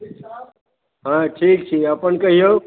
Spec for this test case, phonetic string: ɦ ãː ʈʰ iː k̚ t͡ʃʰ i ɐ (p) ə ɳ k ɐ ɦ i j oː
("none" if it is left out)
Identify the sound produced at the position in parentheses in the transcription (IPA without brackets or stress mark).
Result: p